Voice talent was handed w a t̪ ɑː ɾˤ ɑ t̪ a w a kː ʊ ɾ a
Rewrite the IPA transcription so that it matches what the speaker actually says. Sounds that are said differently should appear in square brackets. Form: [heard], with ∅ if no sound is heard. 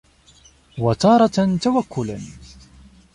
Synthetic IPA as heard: w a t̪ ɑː ɾˤ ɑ t̪ a w a kː ʊ [l] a